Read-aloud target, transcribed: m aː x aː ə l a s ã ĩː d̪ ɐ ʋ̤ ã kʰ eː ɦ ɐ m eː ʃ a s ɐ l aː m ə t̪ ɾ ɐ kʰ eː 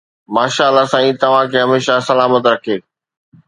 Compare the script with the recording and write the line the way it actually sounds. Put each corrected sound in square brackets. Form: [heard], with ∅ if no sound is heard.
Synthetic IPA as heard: m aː [ʃ] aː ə l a s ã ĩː [t̪] ɐ ʋ̤ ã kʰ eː ɦ ɐ m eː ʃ a s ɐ l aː m ə t̪ ɾ ɐ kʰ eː